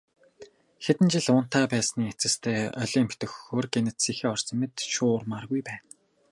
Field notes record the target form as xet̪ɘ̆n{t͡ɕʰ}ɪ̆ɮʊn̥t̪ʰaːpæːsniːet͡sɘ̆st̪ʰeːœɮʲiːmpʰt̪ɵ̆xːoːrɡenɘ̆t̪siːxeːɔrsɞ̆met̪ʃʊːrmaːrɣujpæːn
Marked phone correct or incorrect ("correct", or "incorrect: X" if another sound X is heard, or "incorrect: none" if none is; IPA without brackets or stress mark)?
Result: incorrect: t͡ɕ